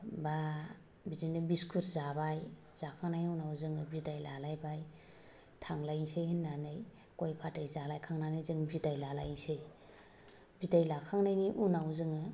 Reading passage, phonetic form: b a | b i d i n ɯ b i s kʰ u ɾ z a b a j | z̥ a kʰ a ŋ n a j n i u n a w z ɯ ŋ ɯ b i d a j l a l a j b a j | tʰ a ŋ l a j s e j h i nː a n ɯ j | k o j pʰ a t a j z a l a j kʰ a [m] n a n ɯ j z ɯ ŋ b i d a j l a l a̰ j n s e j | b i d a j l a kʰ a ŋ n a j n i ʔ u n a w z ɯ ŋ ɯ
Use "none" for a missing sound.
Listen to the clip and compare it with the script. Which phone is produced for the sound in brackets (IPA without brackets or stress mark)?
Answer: ŋ